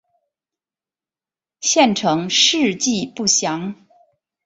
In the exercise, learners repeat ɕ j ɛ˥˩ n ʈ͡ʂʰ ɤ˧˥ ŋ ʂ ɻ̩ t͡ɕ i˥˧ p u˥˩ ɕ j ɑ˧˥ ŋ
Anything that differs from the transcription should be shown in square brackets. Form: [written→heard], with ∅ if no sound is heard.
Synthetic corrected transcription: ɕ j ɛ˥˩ n ʈ͡ʂʰ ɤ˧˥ ŋ ʂ ɻ̩ t͡ɕ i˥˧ p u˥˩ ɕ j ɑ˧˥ ŋ